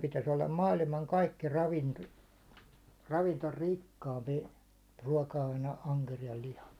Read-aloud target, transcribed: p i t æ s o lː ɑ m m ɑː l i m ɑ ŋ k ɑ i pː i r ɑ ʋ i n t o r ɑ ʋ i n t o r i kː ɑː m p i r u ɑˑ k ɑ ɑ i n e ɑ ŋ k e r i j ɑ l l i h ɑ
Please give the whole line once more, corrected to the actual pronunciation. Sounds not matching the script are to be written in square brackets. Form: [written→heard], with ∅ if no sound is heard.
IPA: p i t æ s o lː ɑ m m ɑː l i m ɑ ŋ k ɑ i [pː→kː] i r ɑ ʋ i n t o r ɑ ʋ i n t o r i kː ɑː m p i r u ɑˑ k ɑ ɑ i n e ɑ ŋ k e r i j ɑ l l i h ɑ